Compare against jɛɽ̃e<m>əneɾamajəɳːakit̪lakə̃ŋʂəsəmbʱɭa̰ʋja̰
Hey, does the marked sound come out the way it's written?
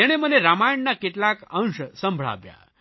yes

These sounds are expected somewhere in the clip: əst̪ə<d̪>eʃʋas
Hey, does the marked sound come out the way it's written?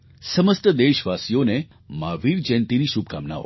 yes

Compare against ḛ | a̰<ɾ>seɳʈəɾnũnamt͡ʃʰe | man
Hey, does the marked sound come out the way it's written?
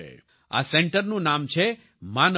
no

